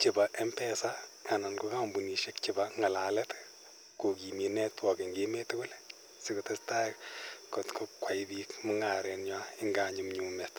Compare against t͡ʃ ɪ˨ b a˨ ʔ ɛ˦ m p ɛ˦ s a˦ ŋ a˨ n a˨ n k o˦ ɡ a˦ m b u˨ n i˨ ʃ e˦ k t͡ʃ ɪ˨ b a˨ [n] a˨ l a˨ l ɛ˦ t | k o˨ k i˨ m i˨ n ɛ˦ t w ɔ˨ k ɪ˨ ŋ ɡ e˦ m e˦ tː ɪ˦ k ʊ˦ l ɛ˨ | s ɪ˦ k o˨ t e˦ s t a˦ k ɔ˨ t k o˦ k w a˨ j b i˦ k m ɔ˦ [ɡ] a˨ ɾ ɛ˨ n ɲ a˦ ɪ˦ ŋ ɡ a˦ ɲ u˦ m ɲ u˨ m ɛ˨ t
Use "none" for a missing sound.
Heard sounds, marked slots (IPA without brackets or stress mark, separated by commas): ŋ, ŋ